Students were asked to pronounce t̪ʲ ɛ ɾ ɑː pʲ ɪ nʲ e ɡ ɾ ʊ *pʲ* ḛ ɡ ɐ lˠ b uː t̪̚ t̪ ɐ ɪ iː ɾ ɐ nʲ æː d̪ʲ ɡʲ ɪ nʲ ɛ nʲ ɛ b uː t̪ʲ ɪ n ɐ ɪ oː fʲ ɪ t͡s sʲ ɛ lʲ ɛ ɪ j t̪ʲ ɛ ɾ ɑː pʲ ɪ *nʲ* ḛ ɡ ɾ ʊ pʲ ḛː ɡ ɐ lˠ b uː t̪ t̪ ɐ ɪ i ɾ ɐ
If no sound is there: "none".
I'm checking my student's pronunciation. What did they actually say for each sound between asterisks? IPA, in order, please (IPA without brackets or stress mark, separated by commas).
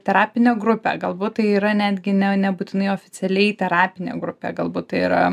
pʲ, nʲ